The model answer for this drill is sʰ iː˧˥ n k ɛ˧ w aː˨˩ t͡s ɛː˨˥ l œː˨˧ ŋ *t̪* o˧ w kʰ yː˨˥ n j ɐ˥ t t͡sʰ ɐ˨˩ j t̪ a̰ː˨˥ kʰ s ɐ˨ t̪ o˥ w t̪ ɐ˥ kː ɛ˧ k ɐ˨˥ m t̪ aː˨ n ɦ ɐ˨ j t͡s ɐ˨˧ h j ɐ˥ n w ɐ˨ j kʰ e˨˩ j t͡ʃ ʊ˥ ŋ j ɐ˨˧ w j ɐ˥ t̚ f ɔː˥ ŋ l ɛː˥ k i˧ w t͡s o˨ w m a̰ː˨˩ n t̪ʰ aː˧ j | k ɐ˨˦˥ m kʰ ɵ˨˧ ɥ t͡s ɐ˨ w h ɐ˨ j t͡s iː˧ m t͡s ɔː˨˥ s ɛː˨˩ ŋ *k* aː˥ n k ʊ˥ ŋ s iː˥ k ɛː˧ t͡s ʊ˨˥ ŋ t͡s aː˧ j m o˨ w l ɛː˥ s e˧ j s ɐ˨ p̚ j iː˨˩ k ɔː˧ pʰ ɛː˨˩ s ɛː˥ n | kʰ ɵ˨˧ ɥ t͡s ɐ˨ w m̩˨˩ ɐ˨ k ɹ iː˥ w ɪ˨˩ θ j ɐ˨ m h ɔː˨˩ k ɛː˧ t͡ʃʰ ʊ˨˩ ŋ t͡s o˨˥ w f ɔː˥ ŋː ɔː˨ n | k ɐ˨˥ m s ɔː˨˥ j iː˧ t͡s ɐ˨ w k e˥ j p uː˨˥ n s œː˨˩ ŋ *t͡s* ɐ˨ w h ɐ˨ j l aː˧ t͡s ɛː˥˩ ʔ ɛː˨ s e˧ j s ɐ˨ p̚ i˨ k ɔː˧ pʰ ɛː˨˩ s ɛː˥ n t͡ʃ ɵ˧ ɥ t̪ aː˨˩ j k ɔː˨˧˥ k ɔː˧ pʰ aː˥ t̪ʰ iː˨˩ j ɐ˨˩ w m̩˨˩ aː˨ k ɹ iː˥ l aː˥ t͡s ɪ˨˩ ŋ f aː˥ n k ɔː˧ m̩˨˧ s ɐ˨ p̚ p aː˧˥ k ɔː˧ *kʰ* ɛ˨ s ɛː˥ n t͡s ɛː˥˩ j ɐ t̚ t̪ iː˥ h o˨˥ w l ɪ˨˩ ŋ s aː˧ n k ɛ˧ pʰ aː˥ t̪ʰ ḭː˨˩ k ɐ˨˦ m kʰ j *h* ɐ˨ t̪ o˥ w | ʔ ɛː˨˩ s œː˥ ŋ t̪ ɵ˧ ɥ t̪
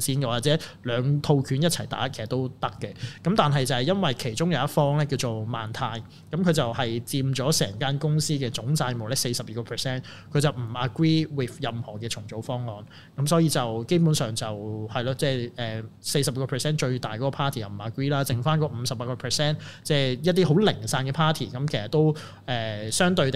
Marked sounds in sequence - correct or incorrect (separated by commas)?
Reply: incorrect, correct, correct, incorrect, incorrect